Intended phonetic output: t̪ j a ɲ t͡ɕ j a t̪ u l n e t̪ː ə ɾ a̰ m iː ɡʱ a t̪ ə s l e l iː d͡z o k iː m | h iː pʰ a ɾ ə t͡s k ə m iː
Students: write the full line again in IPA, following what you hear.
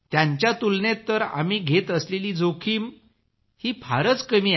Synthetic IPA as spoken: t̪ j a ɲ t͡ɕ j a t̪ u l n e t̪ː ə ɾ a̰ m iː ɡʱ e t̪ ə s l e l iː d͡z o kʰ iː m | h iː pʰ a ɾ ə t͡s k ə m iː